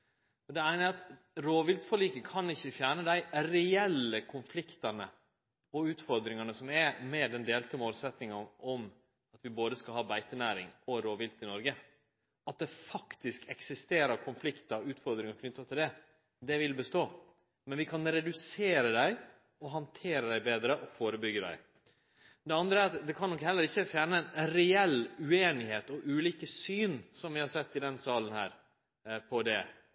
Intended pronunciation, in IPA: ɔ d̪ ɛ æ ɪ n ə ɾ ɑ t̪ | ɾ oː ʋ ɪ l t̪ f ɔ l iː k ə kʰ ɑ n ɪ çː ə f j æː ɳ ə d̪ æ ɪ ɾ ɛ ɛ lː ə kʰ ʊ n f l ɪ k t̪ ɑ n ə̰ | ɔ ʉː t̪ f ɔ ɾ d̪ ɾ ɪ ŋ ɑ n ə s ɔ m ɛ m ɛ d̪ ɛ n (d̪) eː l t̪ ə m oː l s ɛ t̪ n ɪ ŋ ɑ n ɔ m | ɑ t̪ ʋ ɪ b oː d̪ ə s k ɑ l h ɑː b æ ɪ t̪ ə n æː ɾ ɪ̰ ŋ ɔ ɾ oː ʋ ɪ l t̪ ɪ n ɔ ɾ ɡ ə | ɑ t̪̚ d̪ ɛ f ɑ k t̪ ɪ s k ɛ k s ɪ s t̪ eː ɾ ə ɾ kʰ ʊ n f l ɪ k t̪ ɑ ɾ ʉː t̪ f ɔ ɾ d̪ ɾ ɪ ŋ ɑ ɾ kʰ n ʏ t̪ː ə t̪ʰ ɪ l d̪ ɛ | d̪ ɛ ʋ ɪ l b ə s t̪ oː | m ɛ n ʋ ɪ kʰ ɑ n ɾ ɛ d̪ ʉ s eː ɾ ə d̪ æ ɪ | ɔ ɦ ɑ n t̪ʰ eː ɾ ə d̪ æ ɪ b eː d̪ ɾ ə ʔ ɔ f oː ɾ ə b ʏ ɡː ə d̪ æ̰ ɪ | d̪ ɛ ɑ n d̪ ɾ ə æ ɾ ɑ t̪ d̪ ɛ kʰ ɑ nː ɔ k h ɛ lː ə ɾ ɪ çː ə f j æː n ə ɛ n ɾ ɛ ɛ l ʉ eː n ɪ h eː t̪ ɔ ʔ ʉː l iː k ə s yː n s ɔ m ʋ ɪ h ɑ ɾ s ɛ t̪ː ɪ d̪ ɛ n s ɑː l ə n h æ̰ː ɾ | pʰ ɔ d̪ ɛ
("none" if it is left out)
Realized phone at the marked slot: d̪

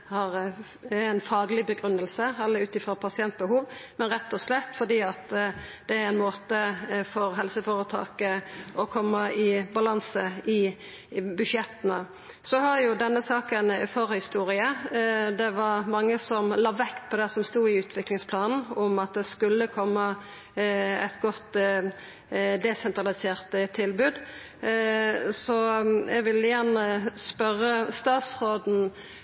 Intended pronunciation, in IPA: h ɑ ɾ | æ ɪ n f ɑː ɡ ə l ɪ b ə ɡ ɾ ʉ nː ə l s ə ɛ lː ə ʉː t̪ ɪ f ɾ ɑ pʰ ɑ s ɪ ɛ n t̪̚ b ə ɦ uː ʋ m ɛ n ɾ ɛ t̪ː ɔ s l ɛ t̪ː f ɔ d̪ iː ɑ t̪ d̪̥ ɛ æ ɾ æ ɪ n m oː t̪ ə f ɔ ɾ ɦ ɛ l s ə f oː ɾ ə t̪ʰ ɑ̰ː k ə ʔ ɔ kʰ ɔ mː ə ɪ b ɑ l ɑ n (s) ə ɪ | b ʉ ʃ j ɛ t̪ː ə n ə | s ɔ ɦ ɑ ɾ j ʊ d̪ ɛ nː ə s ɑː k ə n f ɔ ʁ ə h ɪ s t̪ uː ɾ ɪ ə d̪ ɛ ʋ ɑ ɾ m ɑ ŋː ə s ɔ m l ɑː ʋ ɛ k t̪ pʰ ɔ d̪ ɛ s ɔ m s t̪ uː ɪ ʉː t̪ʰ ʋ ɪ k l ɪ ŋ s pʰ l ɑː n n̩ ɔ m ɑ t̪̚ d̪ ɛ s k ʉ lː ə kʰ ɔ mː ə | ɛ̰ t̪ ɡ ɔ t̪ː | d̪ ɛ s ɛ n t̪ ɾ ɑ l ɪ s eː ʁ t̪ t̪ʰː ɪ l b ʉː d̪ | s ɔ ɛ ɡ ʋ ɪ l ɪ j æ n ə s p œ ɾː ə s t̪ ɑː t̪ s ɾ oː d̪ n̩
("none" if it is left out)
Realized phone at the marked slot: s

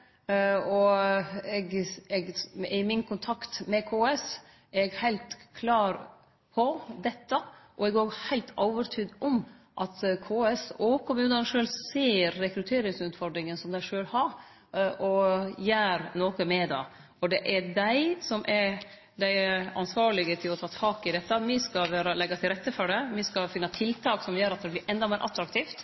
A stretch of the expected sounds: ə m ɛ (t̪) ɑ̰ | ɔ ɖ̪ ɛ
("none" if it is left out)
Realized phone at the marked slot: d̪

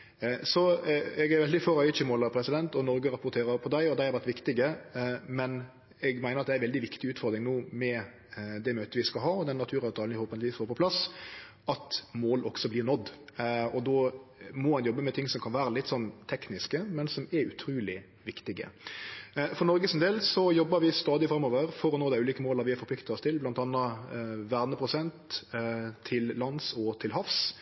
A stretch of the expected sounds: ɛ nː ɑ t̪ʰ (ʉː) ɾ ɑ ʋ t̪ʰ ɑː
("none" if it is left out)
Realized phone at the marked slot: ʉː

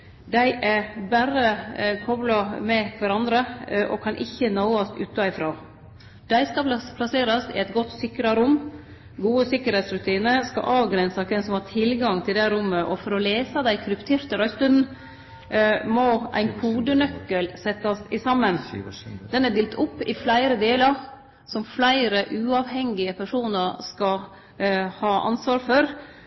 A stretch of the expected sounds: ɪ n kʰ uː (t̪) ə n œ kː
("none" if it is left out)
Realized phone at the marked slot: d̪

